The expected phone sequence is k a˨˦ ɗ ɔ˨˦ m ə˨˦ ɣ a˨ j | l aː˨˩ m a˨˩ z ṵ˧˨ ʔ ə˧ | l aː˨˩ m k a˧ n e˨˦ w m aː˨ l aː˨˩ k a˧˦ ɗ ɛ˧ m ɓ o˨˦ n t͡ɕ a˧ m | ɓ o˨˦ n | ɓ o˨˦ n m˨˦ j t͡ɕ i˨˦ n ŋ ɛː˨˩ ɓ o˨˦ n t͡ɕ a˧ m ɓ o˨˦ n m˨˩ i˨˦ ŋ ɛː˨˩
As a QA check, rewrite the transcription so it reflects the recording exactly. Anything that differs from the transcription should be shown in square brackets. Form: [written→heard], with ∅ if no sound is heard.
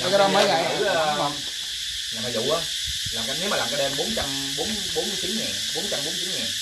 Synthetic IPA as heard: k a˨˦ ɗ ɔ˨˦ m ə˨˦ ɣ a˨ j | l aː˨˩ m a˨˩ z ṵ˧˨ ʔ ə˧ | l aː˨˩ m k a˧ n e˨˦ w m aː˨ l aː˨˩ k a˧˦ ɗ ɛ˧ m ɓ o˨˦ n t͡ɕ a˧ m | ɓ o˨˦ n | ɓ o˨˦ n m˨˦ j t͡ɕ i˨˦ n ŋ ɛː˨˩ ɓ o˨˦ n t͡ɕ a˧ m ɓ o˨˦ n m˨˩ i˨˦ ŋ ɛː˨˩